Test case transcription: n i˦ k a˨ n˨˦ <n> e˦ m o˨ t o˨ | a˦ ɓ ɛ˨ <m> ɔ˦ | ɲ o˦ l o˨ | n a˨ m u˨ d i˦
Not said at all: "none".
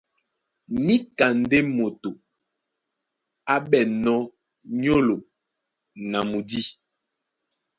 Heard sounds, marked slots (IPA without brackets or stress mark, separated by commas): d, n